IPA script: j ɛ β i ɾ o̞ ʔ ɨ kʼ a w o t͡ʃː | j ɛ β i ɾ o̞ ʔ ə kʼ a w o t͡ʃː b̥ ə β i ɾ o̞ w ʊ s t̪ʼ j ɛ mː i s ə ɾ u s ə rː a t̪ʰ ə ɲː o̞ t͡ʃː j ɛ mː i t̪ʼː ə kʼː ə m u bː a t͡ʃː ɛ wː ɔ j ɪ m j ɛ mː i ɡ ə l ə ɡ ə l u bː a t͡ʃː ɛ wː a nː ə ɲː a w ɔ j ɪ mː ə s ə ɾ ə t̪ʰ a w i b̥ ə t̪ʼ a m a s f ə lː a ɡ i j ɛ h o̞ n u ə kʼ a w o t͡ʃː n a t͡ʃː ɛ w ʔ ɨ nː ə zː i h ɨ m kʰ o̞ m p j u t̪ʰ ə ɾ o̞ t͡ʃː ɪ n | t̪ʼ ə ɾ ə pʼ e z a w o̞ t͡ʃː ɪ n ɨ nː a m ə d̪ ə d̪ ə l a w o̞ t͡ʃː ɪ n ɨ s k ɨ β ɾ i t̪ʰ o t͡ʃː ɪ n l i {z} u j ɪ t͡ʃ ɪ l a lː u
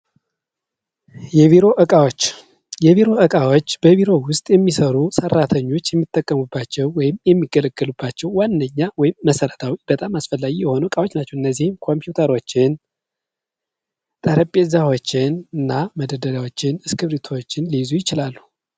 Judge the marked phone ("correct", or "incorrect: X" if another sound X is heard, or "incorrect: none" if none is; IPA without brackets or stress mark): correct